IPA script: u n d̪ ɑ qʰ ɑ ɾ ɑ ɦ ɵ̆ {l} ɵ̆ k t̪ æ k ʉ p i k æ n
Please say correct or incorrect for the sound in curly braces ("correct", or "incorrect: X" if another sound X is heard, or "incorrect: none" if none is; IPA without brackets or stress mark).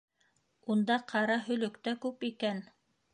correct